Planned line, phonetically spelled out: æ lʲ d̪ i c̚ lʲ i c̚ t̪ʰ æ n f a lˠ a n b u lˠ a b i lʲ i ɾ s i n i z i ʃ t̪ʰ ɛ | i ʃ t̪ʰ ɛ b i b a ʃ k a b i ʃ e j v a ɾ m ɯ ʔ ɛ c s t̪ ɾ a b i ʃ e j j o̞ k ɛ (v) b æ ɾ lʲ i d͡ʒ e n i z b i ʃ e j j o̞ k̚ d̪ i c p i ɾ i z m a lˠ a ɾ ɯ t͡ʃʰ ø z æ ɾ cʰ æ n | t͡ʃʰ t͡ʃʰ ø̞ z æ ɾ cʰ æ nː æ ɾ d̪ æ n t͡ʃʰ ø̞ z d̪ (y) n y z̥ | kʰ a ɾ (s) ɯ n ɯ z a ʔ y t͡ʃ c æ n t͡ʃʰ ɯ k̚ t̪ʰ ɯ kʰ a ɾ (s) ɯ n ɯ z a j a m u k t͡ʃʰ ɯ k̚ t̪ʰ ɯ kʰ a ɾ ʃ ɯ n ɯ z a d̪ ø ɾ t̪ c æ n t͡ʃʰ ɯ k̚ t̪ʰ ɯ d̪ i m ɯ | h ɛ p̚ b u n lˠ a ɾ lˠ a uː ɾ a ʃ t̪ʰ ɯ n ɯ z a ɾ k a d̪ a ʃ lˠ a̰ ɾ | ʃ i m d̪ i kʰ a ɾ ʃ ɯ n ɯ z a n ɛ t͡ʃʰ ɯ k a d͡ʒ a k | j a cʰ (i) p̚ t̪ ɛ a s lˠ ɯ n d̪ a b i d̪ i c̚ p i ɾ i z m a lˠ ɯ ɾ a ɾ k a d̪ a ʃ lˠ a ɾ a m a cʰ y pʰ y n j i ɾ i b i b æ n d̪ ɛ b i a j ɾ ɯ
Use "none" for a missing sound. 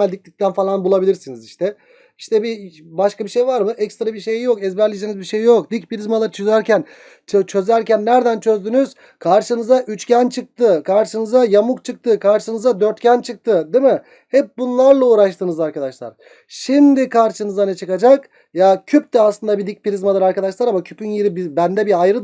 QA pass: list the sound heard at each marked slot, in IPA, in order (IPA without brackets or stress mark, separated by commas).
z, y, ʃ, ʃ, y